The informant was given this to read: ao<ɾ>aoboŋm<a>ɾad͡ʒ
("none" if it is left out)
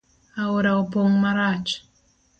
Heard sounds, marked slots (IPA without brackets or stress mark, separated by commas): ɾ, a